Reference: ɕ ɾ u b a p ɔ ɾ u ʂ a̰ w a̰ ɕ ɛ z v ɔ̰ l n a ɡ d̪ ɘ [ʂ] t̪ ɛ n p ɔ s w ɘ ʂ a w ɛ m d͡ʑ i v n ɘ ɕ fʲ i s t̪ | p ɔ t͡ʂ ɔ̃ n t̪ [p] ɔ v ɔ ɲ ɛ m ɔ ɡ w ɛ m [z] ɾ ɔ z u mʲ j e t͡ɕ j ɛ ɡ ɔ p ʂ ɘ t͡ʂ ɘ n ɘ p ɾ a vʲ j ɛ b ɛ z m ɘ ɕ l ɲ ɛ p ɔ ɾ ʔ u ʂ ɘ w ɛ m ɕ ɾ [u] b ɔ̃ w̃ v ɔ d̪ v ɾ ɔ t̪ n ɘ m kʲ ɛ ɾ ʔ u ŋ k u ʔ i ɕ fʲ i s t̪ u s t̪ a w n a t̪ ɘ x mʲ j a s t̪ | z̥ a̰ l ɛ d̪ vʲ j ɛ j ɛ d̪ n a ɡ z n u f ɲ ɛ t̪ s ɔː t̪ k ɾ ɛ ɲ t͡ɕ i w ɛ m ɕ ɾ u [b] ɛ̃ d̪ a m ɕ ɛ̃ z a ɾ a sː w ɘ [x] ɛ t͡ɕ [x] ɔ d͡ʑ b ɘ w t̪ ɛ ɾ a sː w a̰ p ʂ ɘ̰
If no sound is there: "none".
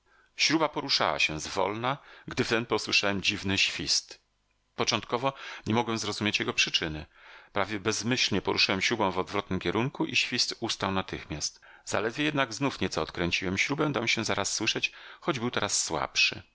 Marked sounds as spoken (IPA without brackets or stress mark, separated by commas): f, k, z, u, b, ʂ, x